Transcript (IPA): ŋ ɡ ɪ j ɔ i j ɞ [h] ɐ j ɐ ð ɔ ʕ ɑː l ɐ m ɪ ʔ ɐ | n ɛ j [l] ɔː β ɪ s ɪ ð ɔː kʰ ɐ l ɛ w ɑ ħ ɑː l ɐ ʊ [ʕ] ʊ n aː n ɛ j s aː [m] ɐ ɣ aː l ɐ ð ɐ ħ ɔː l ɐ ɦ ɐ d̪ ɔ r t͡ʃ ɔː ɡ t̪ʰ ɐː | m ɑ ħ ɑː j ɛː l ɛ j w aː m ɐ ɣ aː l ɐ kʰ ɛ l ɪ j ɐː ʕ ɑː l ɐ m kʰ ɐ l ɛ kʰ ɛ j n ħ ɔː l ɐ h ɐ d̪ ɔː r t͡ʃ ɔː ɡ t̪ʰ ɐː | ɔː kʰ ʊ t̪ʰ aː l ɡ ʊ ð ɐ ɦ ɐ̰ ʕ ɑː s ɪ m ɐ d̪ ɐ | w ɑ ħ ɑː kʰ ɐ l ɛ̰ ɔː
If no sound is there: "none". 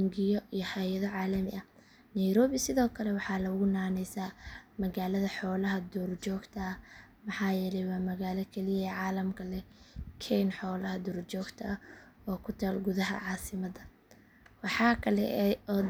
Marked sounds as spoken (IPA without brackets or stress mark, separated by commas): h, ɾ, ɣ, m